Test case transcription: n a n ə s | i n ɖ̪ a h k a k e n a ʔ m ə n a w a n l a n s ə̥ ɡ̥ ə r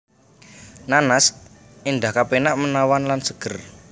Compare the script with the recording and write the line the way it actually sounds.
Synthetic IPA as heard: n a n a s | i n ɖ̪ a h k a p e n a ʔ m ə n a w a n l a n s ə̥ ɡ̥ ə r